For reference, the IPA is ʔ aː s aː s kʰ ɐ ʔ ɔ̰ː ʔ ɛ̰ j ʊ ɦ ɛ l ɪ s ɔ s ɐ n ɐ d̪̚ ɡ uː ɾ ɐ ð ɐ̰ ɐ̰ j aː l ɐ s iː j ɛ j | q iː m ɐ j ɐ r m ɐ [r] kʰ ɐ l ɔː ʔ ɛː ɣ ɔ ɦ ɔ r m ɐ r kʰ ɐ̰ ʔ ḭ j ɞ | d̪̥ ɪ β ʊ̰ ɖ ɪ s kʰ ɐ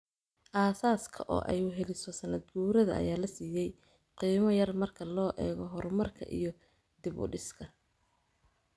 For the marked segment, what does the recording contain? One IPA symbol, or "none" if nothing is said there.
r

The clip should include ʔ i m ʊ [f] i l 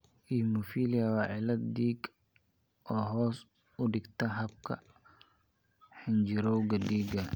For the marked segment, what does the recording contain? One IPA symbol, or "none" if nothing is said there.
f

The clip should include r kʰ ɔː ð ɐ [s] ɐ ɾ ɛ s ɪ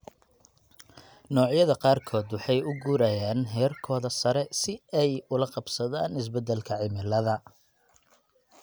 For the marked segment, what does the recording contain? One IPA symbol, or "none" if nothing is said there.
s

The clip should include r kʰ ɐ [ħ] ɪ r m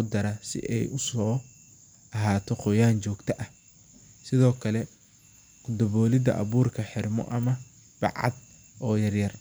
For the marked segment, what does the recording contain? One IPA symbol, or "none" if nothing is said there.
ħ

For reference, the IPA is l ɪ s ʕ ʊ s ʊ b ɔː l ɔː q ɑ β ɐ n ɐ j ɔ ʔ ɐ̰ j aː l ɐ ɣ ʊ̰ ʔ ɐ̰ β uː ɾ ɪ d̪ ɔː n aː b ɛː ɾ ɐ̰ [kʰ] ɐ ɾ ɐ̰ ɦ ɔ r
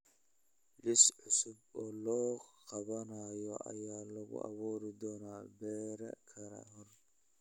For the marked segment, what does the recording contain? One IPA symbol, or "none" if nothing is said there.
kʰ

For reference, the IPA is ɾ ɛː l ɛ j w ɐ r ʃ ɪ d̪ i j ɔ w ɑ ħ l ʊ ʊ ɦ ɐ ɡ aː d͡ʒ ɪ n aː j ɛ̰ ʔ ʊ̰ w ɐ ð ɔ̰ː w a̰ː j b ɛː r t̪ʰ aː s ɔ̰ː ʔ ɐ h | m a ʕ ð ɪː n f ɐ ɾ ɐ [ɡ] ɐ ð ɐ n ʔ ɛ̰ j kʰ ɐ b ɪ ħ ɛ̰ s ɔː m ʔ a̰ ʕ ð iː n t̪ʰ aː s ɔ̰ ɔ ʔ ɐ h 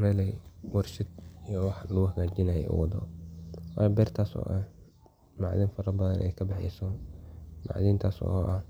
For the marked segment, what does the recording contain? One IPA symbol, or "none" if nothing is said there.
b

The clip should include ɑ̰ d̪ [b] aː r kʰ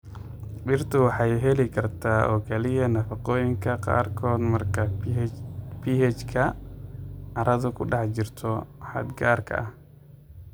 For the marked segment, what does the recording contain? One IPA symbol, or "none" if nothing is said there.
ɡ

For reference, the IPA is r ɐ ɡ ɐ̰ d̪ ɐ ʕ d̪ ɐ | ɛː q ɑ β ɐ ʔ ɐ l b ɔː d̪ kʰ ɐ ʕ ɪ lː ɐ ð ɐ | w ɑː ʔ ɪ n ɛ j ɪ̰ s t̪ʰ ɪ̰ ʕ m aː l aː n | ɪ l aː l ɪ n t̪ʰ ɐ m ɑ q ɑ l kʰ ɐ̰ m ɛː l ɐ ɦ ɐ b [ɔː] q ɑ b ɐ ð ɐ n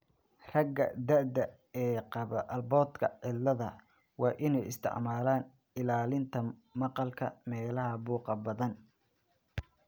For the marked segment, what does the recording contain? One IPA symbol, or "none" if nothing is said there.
uː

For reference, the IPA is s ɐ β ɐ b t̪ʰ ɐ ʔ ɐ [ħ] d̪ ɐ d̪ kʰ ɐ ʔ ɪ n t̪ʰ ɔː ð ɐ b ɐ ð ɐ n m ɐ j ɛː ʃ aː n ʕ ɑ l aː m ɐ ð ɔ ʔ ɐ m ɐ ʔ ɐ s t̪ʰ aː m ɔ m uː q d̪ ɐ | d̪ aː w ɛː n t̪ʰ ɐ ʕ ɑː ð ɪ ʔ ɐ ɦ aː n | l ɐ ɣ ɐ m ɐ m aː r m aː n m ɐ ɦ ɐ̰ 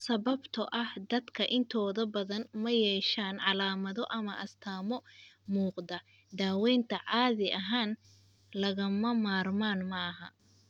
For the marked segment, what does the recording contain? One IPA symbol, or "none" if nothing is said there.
h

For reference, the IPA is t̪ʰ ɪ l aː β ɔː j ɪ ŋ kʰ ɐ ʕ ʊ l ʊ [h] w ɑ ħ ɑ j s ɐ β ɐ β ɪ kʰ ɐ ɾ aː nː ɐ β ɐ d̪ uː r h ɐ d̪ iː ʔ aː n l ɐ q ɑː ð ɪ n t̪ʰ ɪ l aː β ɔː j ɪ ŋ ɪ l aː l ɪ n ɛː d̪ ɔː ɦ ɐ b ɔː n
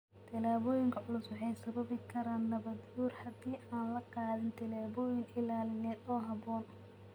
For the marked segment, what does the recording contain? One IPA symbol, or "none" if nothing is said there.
s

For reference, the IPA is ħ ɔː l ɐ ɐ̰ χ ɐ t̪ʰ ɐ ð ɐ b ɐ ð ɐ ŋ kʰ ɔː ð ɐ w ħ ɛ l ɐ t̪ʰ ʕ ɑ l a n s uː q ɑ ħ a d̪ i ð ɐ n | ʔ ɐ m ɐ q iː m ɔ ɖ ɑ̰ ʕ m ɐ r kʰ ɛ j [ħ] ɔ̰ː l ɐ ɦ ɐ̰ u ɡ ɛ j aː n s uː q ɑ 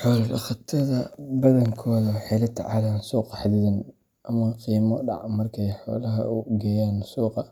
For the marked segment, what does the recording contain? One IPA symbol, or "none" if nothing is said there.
ħ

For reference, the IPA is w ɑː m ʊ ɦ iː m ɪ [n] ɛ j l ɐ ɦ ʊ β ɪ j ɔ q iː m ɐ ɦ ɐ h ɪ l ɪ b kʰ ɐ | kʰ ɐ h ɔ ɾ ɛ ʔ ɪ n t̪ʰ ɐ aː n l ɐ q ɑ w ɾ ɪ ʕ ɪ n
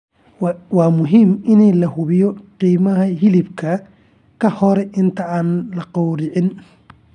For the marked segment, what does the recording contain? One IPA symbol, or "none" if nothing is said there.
n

